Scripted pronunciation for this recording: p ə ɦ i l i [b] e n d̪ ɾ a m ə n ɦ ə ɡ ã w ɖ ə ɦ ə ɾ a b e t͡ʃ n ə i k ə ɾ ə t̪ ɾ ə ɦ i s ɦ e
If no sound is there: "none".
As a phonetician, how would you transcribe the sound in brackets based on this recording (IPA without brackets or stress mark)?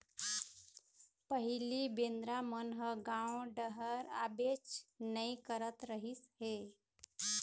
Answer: b